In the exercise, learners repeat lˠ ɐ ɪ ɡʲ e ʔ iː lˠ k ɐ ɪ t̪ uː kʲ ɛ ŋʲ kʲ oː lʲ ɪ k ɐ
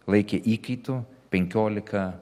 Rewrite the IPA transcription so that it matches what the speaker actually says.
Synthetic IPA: lˠ ɐ ɪ kʲ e ʔ iː k ɐ ɪ t̪ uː pʲ ɛ ŋʲ kʲ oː lʲ ɪ k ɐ